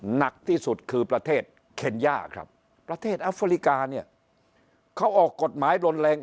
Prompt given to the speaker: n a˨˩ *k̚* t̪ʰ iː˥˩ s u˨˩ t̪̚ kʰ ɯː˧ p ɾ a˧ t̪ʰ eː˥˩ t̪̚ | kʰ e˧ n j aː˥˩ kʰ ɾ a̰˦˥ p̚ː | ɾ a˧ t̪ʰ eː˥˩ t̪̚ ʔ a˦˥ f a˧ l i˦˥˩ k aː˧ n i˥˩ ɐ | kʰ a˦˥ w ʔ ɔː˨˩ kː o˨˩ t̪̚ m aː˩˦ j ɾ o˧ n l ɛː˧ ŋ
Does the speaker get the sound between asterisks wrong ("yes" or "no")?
no